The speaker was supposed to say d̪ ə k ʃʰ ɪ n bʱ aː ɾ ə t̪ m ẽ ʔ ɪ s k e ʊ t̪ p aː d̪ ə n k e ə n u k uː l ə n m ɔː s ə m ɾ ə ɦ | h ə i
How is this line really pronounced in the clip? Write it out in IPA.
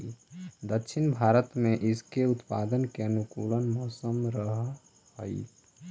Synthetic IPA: d̪ ə k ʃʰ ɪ n bʱ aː ɾ ə t̪ m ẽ ʔ ɪ s k e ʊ t̪ p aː d̪ ə n k e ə n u k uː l ə n m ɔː s ə m ɾ ə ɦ | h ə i